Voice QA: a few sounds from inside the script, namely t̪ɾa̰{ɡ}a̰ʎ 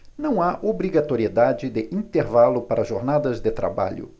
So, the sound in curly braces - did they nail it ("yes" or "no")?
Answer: no